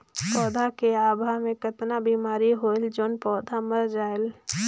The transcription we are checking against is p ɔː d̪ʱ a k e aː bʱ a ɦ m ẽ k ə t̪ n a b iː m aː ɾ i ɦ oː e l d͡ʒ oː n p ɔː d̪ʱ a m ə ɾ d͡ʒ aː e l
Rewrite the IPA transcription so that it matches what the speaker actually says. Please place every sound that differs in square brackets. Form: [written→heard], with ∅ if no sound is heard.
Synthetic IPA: p ɔː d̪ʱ a k e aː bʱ a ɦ m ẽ k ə t̪ n a b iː m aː ɾ i ɦ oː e l d͡ʒ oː n p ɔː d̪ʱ a m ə ɾ d͡ʒ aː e l